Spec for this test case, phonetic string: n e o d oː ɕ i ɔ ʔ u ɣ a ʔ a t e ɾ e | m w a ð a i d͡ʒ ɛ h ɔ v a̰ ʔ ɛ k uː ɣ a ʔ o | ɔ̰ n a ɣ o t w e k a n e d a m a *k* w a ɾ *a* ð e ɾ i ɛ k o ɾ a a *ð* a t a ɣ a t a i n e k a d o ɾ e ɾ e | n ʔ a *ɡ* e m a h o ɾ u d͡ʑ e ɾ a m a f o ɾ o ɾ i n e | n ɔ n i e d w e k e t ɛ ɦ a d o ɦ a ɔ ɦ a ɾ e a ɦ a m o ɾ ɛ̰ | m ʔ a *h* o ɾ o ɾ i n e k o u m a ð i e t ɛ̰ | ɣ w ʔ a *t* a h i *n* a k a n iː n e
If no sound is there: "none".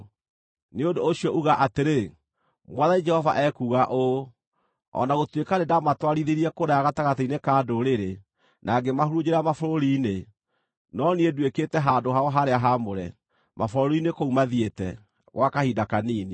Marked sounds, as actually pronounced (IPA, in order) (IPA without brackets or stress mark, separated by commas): t, i, ɣ, ɡ, f, k, d